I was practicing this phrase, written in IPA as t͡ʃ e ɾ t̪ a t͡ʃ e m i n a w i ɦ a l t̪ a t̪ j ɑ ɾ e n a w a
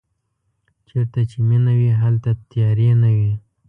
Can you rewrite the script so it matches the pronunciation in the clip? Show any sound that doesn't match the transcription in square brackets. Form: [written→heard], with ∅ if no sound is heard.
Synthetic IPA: t͡ʃ e ɾ t̪ a t͡ʃ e m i n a w i ɦ a l t̪ a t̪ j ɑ ɾ e n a w [a→i]